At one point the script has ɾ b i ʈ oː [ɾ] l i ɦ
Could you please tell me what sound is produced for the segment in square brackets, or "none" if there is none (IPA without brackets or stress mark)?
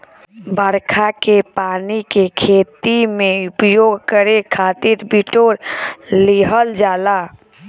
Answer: ɾ